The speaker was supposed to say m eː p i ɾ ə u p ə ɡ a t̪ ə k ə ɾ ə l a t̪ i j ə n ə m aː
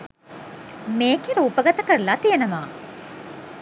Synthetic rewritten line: m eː k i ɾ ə u p ə ɡ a t̪ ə k ə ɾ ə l a t̪ i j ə n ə m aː